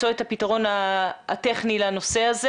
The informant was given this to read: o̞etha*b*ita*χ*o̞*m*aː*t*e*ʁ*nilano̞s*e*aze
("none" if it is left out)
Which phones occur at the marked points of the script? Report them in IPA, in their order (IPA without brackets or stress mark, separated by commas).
p, ʁ, n, t, χ, e